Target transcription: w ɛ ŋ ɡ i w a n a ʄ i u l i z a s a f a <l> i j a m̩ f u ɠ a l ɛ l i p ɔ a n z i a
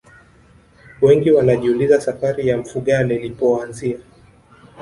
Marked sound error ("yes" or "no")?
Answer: yes